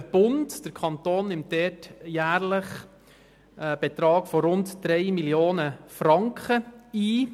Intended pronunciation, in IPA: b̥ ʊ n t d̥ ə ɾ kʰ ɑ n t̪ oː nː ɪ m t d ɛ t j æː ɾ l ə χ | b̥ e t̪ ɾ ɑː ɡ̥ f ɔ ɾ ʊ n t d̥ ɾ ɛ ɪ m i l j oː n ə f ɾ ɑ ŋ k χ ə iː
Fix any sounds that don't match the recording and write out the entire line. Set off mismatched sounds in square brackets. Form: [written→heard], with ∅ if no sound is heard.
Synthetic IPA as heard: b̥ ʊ n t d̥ ə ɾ kʰ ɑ n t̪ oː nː ɪ m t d ɛ t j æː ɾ l ə χ | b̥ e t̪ ɾ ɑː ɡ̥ f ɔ ɾ ʊ n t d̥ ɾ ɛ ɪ m i l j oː n ə f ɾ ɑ ŋ k χ ə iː